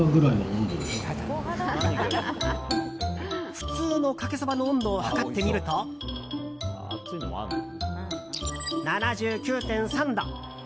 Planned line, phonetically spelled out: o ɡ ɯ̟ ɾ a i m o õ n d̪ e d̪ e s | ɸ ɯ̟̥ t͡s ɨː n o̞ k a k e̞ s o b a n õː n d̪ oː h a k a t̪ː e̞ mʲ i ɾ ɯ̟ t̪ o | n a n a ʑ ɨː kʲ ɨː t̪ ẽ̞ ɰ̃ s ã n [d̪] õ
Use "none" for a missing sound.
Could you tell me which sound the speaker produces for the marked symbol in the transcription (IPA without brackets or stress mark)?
d̪